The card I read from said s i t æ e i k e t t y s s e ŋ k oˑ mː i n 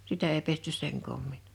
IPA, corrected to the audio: s i t æ e i p e s t y s s e ŋ k oˑ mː i n